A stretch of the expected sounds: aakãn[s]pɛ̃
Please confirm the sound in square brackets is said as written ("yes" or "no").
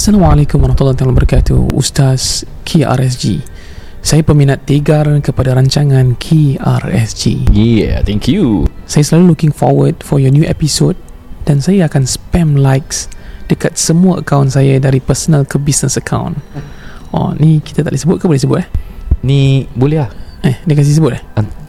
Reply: yes